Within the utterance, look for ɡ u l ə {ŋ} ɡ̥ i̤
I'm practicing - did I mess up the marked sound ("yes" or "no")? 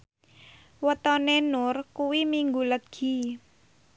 yes